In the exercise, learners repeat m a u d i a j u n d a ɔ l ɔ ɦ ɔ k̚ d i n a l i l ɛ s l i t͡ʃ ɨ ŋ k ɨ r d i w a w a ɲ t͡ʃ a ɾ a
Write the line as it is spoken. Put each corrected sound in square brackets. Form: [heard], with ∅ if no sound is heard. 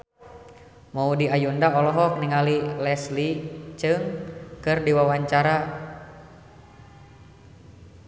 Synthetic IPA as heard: m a u d i a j u n d a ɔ l ɔ ɦ ɔ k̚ [n] i [ŋ] a l i l ɛ s l i t͡ʃ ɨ ŋ k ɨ r d i w a w a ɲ t͡ʃ a ɾ a

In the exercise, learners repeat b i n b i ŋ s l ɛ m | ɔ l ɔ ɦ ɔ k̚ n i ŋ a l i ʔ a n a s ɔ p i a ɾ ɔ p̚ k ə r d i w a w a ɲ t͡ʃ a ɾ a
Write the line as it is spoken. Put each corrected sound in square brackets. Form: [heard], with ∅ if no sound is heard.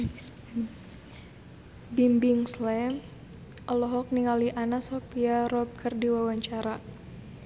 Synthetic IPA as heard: b i [m] b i ŋ s l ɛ m | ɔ l ɔ ɦ ɔ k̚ n i ŋ a l i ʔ a n a s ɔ p i a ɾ ɔ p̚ k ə r d i w a w a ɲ t͡ʃ a ɾ a

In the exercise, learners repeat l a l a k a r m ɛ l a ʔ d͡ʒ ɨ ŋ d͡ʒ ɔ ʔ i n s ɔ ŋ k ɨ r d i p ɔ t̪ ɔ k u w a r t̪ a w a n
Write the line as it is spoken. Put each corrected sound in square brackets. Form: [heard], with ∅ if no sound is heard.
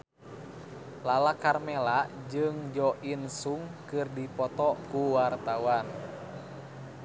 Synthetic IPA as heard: l a l a k a r m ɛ l a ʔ d͡ʒ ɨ ŋ d͡ʒ ɔ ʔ i n s [u] ŋ k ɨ r d i p ɔ t̪ ɔ k u w a r t̪ a w a n

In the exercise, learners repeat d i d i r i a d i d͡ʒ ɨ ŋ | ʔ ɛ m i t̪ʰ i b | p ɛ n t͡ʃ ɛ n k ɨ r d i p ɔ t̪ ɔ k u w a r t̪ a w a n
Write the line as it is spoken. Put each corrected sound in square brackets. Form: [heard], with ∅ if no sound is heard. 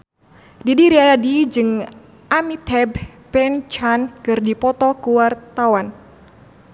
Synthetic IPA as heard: d i d i [ɾ] i a d i d͡ʒ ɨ ŋ | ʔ [a] m i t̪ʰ [ɛ] b | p ɛ n t͡ʃ [a] n k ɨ r d i p ɔ t̪ ɔ k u w a r t̪ a w a n

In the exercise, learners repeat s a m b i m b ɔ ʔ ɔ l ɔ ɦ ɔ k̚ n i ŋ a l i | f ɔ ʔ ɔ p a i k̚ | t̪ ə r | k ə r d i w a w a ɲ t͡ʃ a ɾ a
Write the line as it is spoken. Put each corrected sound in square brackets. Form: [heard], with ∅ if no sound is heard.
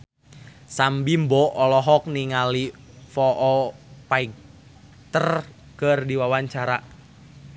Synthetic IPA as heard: s a m b i m b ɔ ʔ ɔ l ɔ ɦ ɔ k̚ n i ŋ a l i | f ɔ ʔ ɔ p a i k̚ | t̪ ə r | k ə r d i w a w a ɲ t͡ʃ a ɾ a

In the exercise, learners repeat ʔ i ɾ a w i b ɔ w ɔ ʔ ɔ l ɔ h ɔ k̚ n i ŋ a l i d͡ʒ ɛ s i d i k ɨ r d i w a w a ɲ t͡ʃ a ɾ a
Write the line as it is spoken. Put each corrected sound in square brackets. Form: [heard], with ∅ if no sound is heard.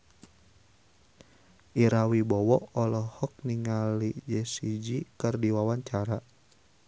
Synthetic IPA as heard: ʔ i ɾ a w i b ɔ w ɔ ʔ ɔ l ɔ h ɔ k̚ n i ŋ a l i d͡ʒ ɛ s i [d͡ʒ] i k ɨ r d i w a w a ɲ t͡ʃ a ɾ a

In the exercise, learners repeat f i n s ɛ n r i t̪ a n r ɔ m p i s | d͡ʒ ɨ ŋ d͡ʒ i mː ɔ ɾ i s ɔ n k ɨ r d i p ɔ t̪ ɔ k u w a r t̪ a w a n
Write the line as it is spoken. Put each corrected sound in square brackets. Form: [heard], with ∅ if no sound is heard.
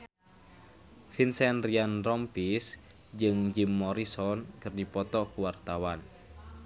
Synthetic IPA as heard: f i n s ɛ n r i [∅] a n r ɔ m p i s | d͡ʒ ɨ ŋ d͡ʒ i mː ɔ ɾ i s ɔ n k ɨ r d i p ɔ t̪ ɔ k u w a r t̪ a w a n

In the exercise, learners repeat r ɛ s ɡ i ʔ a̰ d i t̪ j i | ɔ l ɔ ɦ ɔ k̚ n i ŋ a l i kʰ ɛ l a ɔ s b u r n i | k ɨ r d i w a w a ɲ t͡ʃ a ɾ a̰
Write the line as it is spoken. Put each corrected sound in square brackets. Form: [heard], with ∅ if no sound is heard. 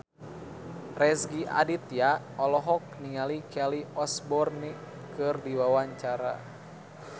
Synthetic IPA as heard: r ɛ s ɡ i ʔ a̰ d i t̪ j [a] | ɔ l ɔ ɦ ɔ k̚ n i ŋ a l i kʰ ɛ l [i] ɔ s b [ɔ] r n i | k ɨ r d i w a w a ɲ t͡ʃ a ɾ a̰

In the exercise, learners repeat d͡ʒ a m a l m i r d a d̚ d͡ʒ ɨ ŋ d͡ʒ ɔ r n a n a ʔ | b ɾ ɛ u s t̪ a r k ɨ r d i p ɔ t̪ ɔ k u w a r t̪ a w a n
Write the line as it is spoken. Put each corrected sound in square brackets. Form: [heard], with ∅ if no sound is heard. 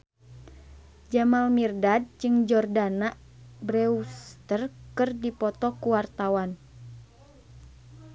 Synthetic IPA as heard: d͡ʒ a m a l m i r d a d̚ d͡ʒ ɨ ŋ d͡ʒ ɔ r [d] a n a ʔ | b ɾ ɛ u s t̪ [ə] r k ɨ r d i p ɔ t̪ ɔ k u w a r t̪ a w a n

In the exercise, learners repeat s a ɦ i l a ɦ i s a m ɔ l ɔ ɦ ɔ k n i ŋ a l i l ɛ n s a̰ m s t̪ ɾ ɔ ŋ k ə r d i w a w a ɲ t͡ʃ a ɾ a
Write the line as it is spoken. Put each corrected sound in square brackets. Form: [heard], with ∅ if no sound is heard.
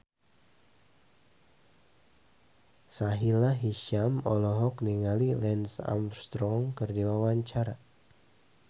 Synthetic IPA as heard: s a ɦ i l a ɦ i [ʃ] a m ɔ l ɔ ɦ ɔ k n i ŋ a l i l ɛ n s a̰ m s t̪ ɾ ɔ ŋ k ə r d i w a w a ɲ t͡ʃ a ɾ a

